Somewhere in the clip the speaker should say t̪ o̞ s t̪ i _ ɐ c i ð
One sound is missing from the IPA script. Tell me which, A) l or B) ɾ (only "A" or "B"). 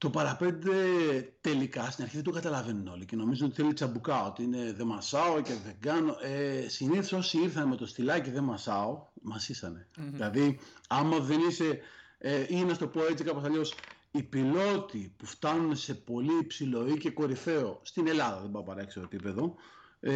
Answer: A